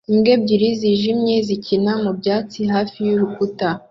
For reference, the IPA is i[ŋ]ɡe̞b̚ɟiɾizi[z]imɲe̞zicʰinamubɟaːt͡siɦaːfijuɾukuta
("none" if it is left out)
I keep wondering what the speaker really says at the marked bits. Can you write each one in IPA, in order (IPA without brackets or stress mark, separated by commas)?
m, ʒ